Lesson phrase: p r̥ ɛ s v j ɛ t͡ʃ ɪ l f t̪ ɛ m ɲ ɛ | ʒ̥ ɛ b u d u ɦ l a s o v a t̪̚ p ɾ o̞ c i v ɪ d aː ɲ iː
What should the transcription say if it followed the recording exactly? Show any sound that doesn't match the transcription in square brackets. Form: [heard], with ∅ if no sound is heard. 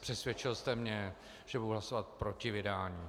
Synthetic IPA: p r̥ ɛ s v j ɛ t͡ʃ ɪ l [s] t̪ ɛ m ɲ ɛ | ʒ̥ ɛ b u d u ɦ l a s o v a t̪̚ p ɾ o̞ c [ɪ] v ɪ d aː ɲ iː